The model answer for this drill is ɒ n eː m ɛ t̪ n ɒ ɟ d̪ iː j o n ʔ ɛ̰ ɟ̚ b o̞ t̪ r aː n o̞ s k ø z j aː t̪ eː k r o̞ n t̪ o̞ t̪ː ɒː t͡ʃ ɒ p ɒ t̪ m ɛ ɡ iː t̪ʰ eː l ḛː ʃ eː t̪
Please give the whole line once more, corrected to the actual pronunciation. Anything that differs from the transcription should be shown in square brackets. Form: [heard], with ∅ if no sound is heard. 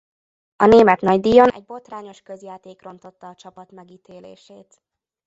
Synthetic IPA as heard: ɒ n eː m ɛ t̪ n ɒ ɟ d̪ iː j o n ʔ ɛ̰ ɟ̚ b o̞ t̪ r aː [ɲ] o̞ [ʃ] k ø z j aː t̪ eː k r o̞ n t̪ o̞ t̪ː ɒː t͡ʃ ɒ p ɒ t̪ m ɛ ɡ iː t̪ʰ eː l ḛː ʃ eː t̪